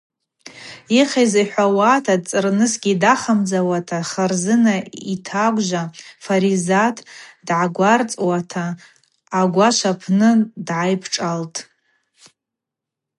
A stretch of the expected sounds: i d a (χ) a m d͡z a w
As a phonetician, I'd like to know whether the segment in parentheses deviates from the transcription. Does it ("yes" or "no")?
no